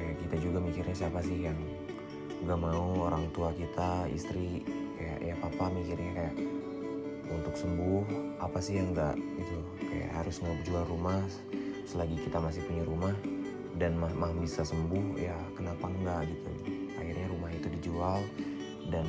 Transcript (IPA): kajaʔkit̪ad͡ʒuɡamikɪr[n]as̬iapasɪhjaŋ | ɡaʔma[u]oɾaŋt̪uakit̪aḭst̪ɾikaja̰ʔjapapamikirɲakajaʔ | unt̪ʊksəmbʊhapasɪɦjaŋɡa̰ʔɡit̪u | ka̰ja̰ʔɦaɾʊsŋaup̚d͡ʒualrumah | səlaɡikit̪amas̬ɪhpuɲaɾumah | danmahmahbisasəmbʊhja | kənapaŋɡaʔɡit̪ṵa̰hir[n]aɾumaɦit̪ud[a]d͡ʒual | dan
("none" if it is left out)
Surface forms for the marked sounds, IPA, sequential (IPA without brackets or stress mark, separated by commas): ɲ, u, ɲ, i